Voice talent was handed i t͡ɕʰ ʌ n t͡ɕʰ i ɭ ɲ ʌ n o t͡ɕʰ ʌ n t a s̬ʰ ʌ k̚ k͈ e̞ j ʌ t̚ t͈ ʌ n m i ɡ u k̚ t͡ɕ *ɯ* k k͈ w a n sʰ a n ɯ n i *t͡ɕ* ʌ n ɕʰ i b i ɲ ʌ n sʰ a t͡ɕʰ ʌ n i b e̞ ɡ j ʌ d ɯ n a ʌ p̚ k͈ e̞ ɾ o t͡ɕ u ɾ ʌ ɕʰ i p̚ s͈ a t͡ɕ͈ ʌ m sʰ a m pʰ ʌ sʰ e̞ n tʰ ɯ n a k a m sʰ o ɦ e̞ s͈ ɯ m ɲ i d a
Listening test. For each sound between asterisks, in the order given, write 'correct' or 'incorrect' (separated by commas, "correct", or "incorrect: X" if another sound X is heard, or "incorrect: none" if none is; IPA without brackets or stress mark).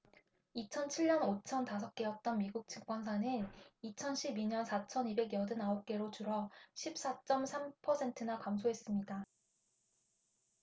correct, incorrect: t͡ɕʰ